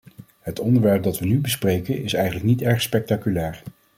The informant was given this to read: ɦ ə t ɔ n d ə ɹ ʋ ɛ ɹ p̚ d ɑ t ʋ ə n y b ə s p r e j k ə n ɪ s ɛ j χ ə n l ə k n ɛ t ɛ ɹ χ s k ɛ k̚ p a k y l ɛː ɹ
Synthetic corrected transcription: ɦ ə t ɔ n d ə ɹ ʋ ɛ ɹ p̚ d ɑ t ʋ ə n y b ə s p r e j k ə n ɪ s ɛ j χ ə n l ə k n i t ɛ ɹ χ s p ɛ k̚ t a k y l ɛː ɹ